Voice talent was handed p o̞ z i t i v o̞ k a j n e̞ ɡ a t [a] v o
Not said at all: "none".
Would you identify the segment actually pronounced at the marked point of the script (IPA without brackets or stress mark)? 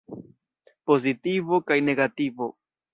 i